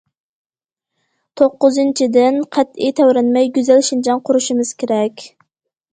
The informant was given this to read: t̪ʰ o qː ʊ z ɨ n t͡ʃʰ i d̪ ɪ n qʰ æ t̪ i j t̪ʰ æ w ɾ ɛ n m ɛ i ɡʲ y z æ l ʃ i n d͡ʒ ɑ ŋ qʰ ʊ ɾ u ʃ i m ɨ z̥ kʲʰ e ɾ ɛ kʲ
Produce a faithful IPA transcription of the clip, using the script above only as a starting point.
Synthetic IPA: t̪ʰ o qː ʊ z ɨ n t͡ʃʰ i d̪ ɪ n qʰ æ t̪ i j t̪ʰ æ w ɾ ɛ n m ɛ j ɡʲ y z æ l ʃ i n d͡ʒ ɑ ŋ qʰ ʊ ɾ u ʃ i m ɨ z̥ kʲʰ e ɾ ɛ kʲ